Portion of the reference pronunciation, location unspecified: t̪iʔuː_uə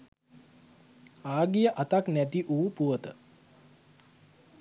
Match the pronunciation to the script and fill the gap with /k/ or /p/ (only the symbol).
p